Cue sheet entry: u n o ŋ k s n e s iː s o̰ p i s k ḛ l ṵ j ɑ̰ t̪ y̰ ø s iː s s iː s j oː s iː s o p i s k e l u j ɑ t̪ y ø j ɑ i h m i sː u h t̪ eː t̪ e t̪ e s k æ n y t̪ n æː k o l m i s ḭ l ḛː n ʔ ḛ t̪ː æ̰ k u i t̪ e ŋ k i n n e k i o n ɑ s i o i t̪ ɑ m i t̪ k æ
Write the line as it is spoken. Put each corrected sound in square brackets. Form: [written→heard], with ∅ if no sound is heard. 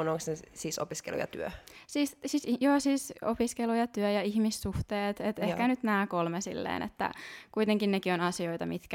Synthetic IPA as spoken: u n o ŋ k s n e s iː s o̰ p i s k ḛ l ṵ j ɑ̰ t̪ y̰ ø s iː s s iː s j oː s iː s o p i s k e l u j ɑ t̪ y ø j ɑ i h m i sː u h t̪ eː t̪ e t̪ e [s→h] k æ n y t̪ n æː k o l m [i→e] s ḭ [l→lː] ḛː n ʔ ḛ t̪ː æ̰ k u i t̪ e ŋ k i n n e k i o n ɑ s i o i t̪ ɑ m i t̪ k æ